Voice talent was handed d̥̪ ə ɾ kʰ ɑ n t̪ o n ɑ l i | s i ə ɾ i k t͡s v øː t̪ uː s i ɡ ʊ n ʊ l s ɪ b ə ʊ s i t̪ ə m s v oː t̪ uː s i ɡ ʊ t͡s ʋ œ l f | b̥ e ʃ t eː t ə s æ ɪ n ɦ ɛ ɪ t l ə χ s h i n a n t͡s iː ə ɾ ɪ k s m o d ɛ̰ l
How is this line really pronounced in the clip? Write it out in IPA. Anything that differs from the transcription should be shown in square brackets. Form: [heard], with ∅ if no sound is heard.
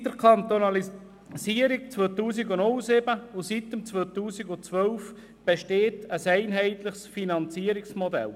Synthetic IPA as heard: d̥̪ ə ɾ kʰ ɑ n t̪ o n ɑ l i | s i ə ɾ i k t͡s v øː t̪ uː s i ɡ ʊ n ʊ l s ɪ b ə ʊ s i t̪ ə m [t͡s] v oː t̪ uː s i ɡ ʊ t͡s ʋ œ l f | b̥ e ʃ t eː t ə s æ ɪ n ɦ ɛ ɪ t l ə χ s [f] i n [ɑ] n t͡s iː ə ɾ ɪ k s m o d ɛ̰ l

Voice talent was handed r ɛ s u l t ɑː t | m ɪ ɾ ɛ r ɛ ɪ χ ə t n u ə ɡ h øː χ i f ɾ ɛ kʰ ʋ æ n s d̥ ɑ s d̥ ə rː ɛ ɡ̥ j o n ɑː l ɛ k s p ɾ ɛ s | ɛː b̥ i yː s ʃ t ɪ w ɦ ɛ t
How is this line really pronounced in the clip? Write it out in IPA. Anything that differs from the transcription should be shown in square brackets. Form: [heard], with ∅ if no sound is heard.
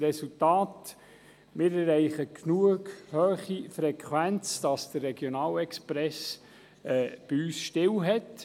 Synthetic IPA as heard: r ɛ s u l t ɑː t | m ɪ ɾ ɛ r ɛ ɪ χ ə [k] n u ə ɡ h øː χ i f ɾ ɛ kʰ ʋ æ n [t͡s] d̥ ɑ s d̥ ə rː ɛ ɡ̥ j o n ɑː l ɛ k s p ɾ ɛ s | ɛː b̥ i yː s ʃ t ɪ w ɦ ɛ t

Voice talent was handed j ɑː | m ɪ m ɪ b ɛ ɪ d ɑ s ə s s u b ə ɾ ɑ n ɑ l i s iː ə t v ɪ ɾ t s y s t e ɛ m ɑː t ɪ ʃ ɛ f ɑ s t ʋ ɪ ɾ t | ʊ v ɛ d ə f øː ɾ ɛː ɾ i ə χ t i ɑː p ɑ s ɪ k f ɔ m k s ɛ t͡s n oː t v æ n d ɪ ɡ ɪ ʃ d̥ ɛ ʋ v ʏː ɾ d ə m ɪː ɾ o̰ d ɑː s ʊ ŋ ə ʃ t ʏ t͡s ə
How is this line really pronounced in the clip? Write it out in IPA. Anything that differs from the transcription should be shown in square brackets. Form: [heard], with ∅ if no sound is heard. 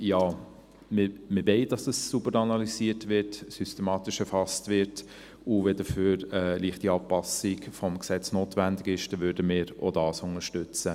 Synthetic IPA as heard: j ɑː | m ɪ m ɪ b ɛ ɪ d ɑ s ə s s u b ə ɾ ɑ n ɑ l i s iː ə t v ɪ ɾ t s y s t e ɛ m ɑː t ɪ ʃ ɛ f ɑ s t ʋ ɪ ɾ t | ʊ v ɛ d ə f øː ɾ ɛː [l] i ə χ t i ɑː p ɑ s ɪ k f ɔ m k s ɛ t͡s n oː t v æ n d ɪ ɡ ɪ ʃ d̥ ɛ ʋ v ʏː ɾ d ə m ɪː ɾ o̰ d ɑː s ʊ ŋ ə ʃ t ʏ t͡s ə

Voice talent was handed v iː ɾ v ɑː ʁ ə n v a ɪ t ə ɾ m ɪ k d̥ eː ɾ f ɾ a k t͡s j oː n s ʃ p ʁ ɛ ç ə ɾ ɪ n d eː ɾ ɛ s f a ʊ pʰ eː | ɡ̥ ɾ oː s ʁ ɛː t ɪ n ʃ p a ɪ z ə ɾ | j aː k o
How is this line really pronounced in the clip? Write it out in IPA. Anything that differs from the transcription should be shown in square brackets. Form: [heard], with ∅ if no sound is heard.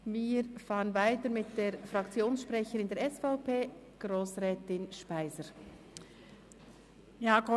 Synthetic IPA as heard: v iː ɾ [f] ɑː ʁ ə n v a ɪ t ə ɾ m ɪ [t] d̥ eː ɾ f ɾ [ɑ] k t͡s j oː n s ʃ p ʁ ɛ ç ə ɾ ɪ n d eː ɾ ɛ s f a ʊ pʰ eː | ɡ̥ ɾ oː s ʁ ɛː t ɪ n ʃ p a ɪ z ə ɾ | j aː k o

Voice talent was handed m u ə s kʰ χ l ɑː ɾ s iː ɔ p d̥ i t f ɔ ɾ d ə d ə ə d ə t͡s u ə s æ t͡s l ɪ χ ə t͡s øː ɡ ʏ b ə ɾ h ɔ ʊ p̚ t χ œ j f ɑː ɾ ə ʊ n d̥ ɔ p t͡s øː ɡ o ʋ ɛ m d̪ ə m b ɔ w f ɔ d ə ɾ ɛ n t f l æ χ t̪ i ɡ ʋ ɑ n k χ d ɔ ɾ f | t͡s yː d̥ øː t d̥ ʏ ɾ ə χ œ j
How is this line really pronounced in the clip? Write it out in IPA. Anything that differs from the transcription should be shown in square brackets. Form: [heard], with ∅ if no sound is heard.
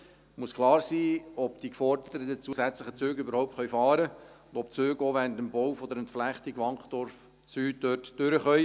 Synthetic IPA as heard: m u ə s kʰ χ l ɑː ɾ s iː ɔ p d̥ i [k] f ɔ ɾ d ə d ə ə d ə t͡s u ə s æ t͡s l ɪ χ ə t͡s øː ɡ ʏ b ə ɾ h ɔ ʊ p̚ t χ œ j f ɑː ɾ ə ʊ n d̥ ɔ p t͡s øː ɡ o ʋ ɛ [n] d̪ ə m b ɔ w f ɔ d ə ɾ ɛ n t f l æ χ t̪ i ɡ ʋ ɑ [ŋ] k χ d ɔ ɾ f | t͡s yː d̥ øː t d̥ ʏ ɾ ə χ œ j

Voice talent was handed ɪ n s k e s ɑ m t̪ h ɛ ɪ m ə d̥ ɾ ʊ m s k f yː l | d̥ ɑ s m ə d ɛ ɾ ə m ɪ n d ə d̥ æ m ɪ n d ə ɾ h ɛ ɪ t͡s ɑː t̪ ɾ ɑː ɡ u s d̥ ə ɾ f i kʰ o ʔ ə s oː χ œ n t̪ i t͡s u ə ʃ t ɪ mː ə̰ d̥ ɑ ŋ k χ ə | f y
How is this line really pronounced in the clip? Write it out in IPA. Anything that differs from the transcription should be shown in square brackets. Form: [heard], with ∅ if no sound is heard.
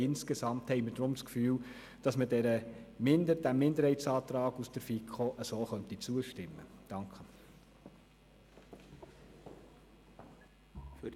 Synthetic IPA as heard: ɪ n s k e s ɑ m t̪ h ɛ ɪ m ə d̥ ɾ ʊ m s k f yː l | d̥ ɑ s m ə d ɛ ɾ ə m ɪ n d ə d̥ æ m ɪ n d ə ɾ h ɛ ɪ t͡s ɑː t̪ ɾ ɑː ɡ u s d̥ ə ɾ f i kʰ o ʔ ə s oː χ œ n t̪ i t͡s u ə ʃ t ɪ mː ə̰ d̥ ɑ ŋ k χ ə | f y

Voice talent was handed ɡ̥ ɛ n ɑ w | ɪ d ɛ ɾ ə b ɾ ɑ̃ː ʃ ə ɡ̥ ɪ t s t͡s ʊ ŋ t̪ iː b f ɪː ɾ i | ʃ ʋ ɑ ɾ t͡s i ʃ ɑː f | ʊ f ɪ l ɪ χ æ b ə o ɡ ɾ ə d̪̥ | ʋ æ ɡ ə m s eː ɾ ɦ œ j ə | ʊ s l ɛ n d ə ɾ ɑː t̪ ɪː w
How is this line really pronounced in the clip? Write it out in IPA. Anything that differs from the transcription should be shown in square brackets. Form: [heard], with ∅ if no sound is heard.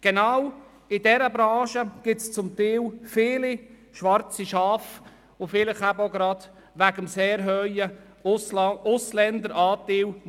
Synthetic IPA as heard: ɡ̥ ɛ n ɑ w | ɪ d ɛ ɾ ə b ɾ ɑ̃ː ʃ ə ɡ̥ ɪ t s t͡s ʊ [m] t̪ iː [w] f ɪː [l] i | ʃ ʋ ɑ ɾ t͡s i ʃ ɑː f | ʊ f ɪ l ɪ χ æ b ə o ɡ ɾ [ɑ] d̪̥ | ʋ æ ɡ ə m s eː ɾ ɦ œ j ə | ʊ s l ɛ n d ə ɾ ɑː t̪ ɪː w

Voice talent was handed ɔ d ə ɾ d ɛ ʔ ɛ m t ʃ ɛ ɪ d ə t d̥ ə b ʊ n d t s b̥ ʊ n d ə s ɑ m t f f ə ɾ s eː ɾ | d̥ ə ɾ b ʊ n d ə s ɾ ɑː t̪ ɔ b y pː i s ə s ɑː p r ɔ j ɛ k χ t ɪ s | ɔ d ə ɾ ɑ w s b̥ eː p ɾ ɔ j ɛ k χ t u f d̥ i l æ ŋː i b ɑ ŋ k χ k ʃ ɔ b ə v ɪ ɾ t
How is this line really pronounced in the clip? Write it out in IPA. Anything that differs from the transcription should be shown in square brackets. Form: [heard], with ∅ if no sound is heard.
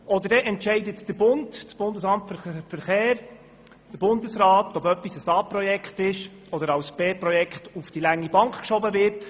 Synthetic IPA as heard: ɔ d ə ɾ d ɛ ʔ ɛ [n] t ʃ ɛ ɪ d ə t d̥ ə b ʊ n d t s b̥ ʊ n d ə s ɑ m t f f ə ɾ [χ] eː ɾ | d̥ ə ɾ b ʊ n d ə s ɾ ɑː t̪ ɔ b [œ] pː i s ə s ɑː p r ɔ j ɛ k χ t ɪ [ʃ] | ɔ d ə ɾ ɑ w s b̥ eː p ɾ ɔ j ɛ k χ t u f d̥ i l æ ŋː i b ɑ ŋ k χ k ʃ ɔ b ə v ɪ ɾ t

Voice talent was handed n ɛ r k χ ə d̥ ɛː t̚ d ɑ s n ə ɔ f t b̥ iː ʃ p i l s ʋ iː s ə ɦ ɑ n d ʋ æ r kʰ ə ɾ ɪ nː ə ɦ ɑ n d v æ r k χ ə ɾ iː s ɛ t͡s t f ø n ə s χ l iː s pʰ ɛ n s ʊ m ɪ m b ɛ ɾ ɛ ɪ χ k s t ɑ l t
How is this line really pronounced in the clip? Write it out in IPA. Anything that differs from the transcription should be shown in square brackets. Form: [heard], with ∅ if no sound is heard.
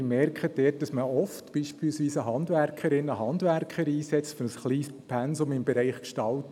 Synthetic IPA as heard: [m] ɛ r k χ ə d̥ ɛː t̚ d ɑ s [m] ə ɔ f t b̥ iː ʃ p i l s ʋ iː s ə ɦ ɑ n d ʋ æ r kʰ ə ɾ ɪ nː ə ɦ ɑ n d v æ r k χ ə ɾ iː s ɛ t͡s t f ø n ə s χ l iː s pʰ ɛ n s ʊ m ɪ m b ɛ ɾ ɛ ɪ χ k [ʃ] t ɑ l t

